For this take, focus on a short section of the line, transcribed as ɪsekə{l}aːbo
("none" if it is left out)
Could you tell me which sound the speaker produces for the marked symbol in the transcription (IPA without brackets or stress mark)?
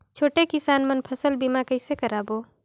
ɾ